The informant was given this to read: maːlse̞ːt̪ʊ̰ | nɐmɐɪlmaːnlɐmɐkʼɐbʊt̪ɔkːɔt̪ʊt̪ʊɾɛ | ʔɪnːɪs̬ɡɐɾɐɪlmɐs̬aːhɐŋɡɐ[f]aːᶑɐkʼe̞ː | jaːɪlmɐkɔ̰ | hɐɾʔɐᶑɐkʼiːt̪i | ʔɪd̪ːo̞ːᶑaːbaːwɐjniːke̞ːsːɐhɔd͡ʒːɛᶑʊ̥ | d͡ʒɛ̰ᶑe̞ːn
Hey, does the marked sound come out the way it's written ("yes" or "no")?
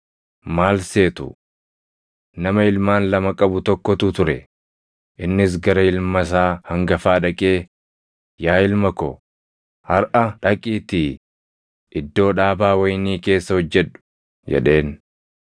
yes